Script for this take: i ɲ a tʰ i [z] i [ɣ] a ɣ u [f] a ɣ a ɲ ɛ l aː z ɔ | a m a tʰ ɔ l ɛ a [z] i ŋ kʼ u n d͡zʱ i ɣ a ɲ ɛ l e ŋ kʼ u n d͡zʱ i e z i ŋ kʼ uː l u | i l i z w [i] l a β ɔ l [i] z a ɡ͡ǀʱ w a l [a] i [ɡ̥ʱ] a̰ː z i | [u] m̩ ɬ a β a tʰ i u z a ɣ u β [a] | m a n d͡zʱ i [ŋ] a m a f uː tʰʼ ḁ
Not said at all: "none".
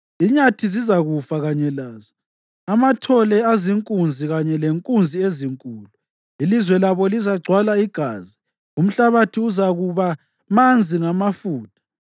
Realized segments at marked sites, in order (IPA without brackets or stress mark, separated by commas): z, z, f, z, ɛ, i, a, ɡ̥ʱ, u, a, ŋ